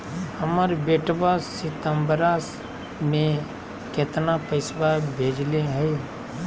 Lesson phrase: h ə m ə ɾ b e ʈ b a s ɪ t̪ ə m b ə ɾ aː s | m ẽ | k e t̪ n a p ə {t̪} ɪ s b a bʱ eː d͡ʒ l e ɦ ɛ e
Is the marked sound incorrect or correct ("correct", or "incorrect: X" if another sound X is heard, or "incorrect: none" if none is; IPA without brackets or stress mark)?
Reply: incorrect: none